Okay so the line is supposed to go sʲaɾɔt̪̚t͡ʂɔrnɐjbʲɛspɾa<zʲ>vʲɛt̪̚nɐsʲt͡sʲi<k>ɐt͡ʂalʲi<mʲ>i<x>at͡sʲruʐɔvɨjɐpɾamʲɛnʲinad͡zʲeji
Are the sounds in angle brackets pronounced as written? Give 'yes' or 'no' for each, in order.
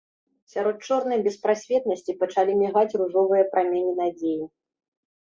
no, no, yes, no

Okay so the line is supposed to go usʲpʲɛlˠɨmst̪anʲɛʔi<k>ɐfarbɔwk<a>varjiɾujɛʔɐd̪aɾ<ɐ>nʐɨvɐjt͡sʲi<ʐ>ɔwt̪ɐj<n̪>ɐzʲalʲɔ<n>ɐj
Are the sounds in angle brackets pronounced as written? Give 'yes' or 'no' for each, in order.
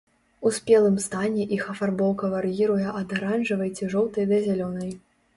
no, no, no, yes, no, yes

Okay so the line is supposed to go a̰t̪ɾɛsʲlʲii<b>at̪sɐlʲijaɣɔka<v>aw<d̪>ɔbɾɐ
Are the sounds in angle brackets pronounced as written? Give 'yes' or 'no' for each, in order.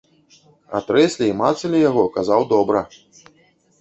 no, no, yes

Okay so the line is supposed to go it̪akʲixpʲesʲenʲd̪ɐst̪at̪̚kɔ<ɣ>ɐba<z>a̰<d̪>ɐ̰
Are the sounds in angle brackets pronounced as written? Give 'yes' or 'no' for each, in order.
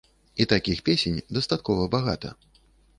no, no, no

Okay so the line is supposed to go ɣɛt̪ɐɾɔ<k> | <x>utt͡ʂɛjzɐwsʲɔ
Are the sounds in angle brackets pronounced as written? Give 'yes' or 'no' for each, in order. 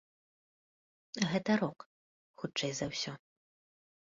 yes, yes

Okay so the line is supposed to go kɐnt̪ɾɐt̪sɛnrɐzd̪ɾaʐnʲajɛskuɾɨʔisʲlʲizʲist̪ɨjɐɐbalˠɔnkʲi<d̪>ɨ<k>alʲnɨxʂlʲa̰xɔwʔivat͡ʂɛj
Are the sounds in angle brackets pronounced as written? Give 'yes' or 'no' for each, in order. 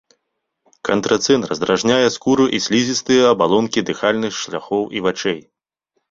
yes, no

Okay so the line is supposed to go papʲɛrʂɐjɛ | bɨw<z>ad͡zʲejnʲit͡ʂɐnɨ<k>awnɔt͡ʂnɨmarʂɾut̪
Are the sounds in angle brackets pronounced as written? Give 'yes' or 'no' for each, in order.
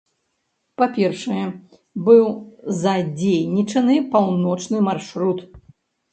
yes, no

